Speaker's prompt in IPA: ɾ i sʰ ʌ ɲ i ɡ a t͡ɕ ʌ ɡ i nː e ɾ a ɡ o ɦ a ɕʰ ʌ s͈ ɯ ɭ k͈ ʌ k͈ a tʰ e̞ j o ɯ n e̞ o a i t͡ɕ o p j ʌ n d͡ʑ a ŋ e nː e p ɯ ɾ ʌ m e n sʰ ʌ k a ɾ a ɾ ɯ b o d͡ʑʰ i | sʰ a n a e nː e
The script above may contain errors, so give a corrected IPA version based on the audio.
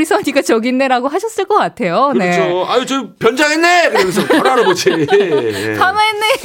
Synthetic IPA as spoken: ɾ i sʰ ʌ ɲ i ɡ a t͡ɕ ʌ ɡ i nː e ɾ a ɡ o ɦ a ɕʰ ʌ s͈ ɯ ɭ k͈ ʌ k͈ a tʰ e̞ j o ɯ n e̞ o a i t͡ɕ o p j ʌ n d͡ʑ a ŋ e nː e k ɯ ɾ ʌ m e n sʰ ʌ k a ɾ a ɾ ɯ b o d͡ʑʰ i | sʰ a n a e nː e